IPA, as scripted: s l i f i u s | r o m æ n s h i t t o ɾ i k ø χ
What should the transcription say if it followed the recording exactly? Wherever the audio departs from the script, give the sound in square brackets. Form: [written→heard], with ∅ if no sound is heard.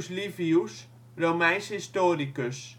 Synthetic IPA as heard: s l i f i u s | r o m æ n s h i [t→s] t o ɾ i k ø [χ→s]